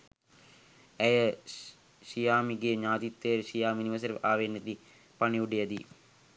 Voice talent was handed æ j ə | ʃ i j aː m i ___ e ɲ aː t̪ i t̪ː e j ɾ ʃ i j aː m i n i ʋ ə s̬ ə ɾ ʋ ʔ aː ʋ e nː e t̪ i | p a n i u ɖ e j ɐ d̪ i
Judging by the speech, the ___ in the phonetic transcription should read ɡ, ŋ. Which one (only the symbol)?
ɡ